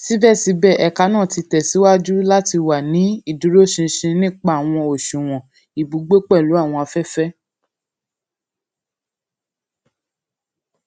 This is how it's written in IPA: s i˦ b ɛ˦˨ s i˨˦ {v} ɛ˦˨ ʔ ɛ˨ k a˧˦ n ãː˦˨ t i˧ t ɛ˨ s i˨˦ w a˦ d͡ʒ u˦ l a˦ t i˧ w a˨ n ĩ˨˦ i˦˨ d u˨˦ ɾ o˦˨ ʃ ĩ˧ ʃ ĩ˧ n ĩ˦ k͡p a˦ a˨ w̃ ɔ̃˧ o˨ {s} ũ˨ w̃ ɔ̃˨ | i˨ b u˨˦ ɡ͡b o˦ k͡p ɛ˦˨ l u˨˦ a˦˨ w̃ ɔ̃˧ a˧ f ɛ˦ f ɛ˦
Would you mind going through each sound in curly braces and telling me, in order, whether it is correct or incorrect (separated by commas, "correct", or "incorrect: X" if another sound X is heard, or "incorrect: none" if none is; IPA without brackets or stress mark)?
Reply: incorrect: b, incorrect: ʃ